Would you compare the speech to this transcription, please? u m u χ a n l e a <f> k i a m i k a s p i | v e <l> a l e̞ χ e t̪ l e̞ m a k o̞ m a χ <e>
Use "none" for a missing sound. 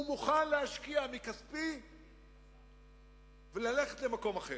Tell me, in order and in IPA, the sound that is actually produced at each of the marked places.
ʃ, l, e

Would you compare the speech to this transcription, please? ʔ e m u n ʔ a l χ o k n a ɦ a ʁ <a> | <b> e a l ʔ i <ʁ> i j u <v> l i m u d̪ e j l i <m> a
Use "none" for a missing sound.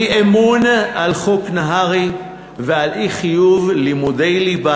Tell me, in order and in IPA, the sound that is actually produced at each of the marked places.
i, v, χ, v, b

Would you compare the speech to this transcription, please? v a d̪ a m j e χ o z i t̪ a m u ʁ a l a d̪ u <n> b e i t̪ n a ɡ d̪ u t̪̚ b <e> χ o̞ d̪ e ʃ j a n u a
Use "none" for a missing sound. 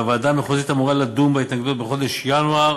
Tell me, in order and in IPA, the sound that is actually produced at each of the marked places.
m, e

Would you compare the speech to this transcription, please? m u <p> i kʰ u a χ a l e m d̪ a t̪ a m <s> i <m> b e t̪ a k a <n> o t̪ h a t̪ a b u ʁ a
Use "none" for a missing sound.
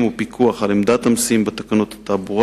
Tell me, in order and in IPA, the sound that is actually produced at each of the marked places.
p, s, m, n

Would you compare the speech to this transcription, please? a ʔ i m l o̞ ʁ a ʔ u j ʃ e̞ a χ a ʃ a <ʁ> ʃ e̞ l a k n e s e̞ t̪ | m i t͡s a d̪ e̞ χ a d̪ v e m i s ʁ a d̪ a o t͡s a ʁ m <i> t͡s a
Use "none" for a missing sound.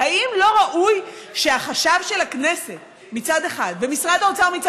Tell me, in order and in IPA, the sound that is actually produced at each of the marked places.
v, i

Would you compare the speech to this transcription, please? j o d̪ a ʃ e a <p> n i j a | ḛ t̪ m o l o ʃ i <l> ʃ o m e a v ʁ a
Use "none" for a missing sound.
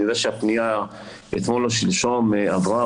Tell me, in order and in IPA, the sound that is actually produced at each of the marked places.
p, l

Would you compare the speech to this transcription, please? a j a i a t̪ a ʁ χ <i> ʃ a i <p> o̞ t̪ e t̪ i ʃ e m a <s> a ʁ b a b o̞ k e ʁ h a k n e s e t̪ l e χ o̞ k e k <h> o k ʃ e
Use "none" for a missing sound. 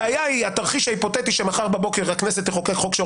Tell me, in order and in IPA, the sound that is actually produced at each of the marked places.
i, p, χ, χ

